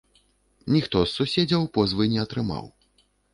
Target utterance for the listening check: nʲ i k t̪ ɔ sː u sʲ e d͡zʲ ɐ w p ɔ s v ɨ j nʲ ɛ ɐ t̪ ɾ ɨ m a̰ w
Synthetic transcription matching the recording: nʲ i x t̪ ɔ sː u sʲ e d͡zʲ ɐ w p ɔ z v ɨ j nʲ ɛ ɐ t̪ ɾ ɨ m a̰ w

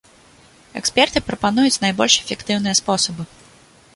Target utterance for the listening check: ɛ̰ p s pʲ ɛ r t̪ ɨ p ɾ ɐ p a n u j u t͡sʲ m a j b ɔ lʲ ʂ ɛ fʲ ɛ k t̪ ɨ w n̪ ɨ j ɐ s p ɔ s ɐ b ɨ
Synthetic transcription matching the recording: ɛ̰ k s pʲ ɛ r t̪ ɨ p ɾ ɐ p a n u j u t͡sʲ n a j b ɔ lʲ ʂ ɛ fʲ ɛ k t̪ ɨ w n̪ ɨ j ɐ s p ɔ s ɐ b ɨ

